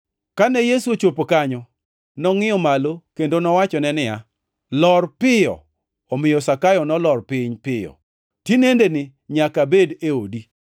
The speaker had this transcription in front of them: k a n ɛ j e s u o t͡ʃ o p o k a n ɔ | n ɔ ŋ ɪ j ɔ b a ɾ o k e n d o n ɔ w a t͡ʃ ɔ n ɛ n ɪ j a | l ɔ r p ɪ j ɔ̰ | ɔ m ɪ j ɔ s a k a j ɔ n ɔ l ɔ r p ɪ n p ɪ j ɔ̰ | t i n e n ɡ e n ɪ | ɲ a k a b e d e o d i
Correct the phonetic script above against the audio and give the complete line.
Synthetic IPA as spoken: k a n ɛ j e s u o t͡ʃ o p o k a ɲ ɔ | n ɔ ŋ ɪ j ɔ m a l o k e n d o n ɔ w a t͡ʃ ɔ n ɛ n ɪ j a | l ɔ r p ɪ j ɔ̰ | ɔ m ɪ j ɔ s a k a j ɔ n ɔ l ɔ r p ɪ ɲ p ɪ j ɔ̰ | t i n e n d e n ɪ | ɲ a k a b e d e o d i